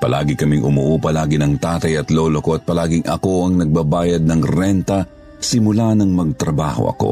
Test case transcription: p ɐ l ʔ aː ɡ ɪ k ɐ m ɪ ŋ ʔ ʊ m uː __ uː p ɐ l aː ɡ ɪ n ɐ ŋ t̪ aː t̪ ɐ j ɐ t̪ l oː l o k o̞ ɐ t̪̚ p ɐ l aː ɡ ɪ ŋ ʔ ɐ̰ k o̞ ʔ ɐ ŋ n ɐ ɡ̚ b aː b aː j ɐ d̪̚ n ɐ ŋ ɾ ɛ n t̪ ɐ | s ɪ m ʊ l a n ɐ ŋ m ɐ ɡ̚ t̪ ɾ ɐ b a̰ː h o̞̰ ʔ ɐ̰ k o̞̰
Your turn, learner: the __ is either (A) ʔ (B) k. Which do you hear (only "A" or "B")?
A